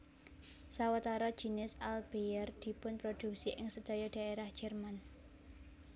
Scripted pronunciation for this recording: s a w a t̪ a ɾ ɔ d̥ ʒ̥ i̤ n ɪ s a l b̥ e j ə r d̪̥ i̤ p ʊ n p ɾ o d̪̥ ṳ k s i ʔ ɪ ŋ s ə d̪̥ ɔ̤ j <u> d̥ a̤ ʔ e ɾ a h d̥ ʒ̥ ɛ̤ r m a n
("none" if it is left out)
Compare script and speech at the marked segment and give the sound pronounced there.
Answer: ɔ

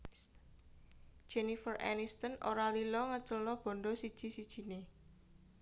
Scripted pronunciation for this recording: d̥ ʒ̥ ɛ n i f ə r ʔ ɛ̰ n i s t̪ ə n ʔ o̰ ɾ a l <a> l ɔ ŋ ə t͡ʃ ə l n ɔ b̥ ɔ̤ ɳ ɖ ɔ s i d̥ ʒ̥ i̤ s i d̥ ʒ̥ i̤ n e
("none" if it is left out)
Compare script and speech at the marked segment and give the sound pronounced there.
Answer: i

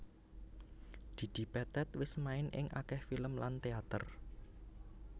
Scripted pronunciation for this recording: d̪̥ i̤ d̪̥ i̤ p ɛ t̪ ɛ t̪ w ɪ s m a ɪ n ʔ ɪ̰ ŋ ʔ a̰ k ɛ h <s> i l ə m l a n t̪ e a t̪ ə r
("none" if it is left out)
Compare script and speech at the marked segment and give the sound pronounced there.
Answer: f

